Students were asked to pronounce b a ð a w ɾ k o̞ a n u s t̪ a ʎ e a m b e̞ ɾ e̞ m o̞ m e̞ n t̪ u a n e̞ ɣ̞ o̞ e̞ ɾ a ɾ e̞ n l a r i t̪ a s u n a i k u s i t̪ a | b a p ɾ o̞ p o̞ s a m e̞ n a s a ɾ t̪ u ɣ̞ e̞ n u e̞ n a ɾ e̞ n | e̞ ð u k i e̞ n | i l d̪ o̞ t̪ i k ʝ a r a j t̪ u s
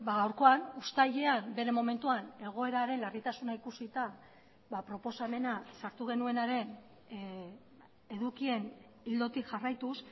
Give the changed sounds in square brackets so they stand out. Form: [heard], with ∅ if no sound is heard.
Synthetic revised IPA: b a [ɣ] a w ɾ k o̞ a n u s t̪ a ʎ e a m b e̞ ɾ e̞ m o̞ m e̞ n t̪ u a n e̞ ɣ̞ o̞ e̞ ɾ a ɾ e̞ n l a r i t̪ a s u n a i k u s i t̪ a | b a p ɾ o̞ p o̞ s a m e̞ n a s a ɾ t̪ u ɣ̞ e̞ n u e̞ n a ɾ e̞ n | e̞ ð u k i e̞ n | i l d̪ o̞ t̪ i k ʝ a r a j t̪ u s